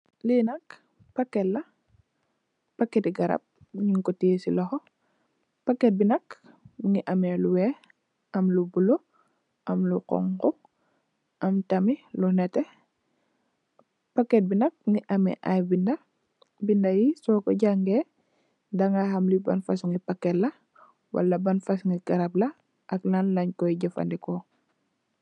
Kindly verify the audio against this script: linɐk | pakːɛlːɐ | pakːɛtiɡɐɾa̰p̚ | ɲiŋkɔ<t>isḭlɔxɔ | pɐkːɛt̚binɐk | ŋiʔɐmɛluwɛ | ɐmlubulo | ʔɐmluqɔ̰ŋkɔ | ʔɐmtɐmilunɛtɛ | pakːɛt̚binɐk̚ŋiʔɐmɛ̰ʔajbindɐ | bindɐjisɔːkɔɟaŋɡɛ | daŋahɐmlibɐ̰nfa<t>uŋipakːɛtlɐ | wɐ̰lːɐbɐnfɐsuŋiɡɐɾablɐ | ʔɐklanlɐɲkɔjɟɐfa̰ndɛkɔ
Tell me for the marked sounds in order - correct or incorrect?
correct, incorrect: s

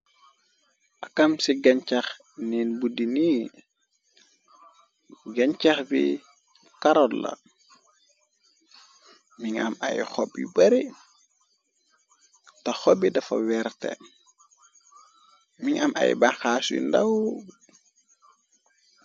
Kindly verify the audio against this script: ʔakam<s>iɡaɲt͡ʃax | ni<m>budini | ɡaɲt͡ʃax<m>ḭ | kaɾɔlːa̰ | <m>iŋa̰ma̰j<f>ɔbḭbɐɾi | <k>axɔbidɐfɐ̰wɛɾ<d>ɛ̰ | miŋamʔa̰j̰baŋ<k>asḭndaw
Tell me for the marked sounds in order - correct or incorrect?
correct, incorrect: n, incorrect: b, correct, incorrect: x, incorrect: t, incorrect: t, incorrect: x

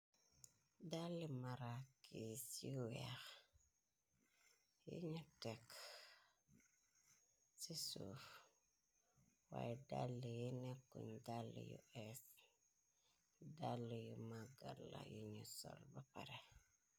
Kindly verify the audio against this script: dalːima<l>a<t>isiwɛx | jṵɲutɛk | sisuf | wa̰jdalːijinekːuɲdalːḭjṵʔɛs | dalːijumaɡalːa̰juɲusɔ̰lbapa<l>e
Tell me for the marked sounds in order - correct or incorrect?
incorrect: ɾ, incorrect: k, incorrect: ɾ

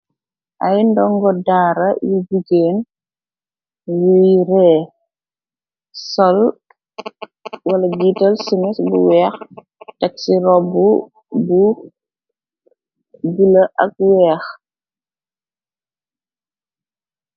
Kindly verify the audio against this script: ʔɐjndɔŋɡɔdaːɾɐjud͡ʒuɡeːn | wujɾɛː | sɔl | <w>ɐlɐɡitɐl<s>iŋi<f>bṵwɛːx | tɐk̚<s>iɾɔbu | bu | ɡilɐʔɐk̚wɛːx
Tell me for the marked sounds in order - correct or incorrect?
correct, correct, incorrect: s, correct

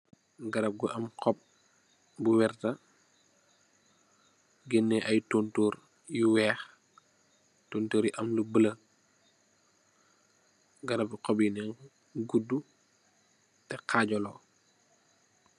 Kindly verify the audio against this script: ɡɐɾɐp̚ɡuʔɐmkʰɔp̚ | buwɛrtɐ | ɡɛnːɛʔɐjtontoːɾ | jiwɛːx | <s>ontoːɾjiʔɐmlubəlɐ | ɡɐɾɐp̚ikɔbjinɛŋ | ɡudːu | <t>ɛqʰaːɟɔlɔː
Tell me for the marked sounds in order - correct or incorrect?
incorrect: t, correct

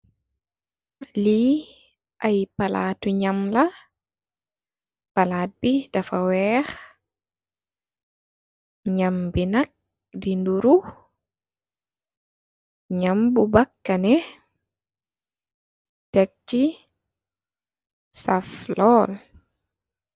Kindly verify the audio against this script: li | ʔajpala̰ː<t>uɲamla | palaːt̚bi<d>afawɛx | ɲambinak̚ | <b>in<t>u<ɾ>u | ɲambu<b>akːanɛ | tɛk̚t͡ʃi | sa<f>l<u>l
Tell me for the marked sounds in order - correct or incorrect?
correct, correct, incorrect: d, incorrect: d, correct, correct, correct, incorrect: ɔ

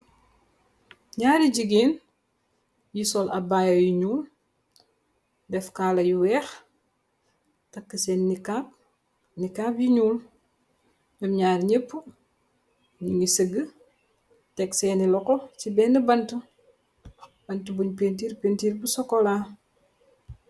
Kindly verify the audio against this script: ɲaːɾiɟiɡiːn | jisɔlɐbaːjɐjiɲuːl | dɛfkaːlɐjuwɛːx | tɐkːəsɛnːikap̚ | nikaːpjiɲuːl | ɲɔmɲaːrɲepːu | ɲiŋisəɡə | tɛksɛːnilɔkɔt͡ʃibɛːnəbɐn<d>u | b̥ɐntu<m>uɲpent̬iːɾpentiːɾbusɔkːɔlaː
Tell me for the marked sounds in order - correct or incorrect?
incorrect: t, incorrect: b

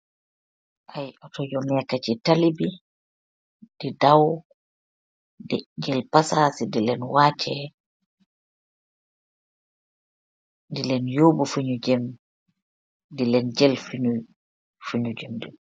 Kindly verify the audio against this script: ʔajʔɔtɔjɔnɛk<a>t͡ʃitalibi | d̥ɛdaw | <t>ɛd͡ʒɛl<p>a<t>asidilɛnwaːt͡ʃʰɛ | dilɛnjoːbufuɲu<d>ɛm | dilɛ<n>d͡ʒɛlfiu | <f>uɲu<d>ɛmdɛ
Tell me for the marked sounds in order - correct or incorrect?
correct, incorrect: d, correct, incorrect: s, incorrect: d͡ʒ, correct, correct, incorrect: d͡ʒ

